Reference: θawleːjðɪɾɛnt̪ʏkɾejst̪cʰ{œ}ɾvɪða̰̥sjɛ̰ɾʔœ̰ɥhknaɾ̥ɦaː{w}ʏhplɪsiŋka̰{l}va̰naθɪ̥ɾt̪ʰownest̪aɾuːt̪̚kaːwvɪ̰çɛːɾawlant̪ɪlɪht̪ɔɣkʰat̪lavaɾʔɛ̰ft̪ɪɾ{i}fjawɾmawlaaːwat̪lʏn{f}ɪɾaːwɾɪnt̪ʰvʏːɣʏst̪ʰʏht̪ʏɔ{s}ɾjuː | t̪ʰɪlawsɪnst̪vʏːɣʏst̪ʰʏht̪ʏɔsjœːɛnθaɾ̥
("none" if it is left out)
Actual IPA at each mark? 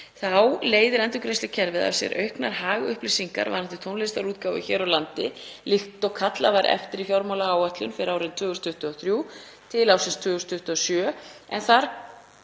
ɛ, ɣ, ɾ, i, f, θ

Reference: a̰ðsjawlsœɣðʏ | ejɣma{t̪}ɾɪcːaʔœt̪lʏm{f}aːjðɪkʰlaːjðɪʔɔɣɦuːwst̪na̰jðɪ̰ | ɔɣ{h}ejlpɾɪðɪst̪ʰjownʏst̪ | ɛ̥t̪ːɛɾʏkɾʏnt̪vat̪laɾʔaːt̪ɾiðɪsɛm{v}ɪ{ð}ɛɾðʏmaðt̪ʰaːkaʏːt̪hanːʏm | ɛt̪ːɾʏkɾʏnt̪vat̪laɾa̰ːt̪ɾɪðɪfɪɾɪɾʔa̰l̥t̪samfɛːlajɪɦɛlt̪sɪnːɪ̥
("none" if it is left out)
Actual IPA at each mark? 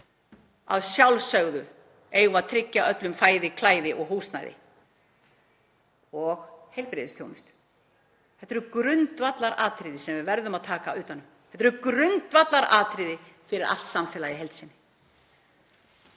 t̪ʰ, f, h, v, v

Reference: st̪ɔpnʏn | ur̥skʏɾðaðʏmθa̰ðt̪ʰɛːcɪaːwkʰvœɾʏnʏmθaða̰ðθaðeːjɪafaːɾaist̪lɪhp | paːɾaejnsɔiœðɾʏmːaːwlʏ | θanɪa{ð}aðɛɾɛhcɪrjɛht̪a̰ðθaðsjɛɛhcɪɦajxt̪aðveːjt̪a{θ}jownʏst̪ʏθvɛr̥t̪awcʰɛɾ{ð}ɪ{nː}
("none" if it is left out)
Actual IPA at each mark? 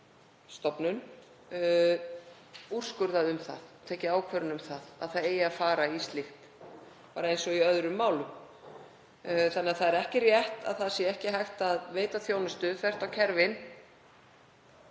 θ, θ, v, n

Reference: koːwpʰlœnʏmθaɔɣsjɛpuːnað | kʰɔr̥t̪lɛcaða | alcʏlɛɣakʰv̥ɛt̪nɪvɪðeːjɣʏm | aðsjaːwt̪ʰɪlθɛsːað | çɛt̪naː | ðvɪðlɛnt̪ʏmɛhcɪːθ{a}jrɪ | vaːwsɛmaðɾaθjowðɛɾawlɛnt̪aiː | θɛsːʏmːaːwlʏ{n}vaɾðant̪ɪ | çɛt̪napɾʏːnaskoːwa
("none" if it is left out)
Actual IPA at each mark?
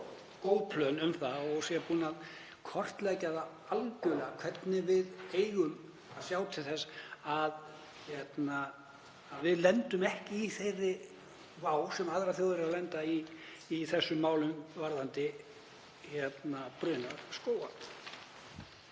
e, m

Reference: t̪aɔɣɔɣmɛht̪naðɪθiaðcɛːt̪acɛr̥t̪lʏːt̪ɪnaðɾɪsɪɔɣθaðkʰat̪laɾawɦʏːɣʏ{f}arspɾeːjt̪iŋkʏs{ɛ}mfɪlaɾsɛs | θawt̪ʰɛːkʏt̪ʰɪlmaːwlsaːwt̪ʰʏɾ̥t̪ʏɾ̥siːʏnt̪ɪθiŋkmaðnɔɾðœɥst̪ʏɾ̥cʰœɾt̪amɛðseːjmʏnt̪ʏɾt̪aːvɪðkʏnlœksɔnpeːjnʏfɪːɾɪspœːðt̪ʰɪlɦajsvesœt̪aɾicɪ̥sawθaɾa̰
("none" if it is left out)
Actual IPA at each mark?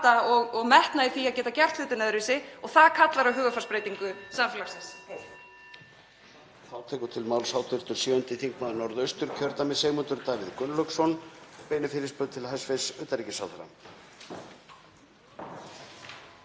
f, a

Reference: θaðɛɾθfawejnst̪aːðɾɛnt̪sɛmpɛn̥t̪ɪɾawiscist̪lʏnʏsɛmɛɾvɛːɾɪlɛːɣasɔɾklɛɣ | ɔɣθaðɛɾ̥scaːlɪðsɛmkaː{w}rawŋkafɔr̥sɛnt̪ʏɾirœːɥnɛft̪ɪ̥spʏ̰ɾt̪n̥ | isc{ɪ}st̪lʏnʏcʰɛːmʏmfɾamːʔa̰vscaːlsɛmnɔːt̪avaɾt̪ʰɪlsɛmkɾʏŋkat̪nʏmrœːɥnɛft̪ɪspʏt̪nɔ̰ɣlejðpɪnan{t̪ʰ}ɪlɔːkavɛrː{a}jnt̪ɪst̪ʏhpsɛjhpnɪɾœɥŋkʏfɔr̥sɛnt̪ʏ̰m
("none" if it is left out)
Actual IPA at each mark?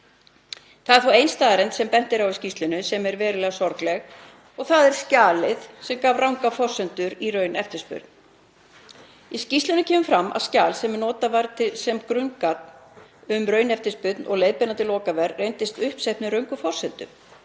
v, i, t̪, e

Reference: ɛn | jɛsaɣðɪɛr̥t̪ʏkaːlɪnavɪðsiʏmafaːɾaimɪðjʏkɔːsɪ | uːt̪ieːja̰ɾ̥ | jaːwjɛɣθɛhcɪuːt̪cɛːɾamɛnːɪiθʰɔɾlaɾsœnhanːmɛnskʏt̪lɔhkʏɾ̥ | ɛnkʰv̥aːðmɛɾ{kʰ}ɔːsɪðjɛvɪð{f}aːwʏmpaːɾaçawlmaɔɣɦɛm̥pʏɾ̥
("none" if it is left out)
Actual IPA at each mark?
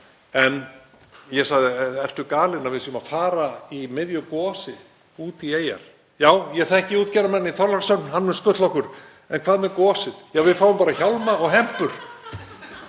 k, f

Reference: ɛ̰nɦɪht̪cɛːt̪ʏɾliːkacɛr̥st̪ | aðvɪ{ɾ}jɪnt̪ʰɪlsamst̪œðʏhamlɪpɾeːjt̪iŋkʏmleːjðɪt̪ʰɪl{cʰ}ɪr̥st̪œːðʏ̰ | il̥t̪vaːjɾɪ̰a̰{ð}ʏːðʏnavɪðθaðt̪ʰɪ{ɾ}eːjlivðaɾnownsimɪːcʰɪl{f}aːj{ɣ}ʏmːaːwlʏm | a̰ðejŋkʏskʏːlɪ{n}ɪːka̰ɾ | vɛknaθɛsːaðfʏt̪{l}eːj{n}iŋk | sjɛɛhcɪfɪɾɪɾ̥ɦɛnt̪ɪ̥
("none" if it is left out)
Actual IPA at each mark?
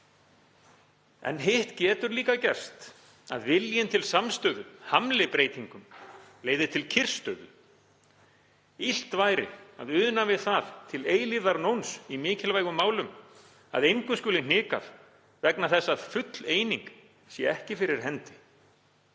l, cʰ, ð, l, v, ɣ, n, l, n

